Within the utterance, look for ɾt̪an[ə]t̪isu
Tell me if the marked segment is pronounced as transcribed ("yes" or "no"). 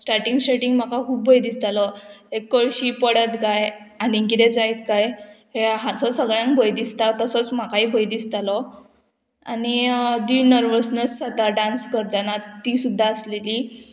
no